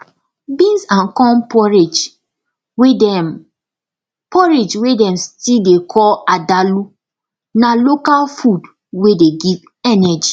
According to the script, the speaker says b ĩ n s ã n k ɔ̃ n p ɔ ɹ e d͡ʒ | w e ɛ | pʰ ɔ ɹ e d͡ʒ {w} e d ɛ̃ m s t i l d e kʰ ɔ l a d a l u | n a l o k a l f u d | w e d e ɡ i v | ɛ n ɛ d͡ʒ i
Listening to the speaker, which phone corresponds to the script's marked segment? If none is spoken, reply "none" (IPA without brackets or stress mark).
w